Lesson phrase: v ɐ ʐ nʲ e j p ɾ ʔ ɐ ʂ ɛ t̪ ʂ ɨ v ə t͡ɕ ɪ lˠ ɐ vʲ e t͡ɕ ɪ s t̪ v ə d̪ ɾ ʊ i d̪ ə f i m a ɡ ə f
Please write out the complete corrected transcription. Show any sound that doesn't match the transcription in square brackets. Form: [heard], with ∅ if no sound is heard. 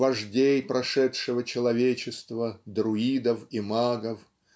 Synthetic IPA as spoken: v ɐ ʐ [dʲ] e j p ɾ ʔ ɐ ʂ ɛ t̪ ʂ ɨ v ə t͡ɕ ɪ lˠ ɐ vʲ e t͡ɕ ɪ s t̪ v ə d̪ ɾ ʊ i d̪ ə f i m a ɡ ə f